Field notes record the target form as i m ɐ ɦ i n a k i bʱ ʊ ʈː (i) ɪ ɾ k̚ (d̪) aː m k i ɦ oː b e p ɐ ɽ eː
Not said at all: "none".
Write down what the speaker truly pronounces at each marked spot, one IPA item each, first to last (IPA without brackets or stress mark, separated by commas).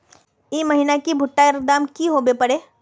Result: a, d̪